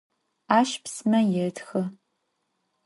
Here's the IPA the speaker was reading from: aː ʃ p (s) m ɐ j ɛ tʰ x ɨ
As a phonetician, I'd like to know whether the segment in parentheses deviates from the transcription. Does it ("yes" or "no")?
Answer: no